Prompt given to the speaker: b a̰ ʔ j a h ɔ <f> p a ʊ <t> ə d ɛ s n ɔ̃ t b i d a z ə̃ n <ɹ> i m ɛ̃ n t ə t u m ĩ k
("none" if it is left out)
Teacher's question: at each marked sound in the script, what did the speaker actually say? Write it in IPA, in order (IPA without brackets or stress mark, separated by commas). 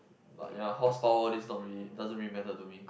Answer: s, none, ɹ